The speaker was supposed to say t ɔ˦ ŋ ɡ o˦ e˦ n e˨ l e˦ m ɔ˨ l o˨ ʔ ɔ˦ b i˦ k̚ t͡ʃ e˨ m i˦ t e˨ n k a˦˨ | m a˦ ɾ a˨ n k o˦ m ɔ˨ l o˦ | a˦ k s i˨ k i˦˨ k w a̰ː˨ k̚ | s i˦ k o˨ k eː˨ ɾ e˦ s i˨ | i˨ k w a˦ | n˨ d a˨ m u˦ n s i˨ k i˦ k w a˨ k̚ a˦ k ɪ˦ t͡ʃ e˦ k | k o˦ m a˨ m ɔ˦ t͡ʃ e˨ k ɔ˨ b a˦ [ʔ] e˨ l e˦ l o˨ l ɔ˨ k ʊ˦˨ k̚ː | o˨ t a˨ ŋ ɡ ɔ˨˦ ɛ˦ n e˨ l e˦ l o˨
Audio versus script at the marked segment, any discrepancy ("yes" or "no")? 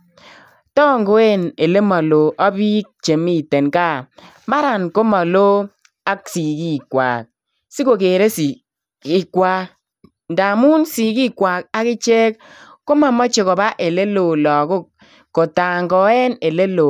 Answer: no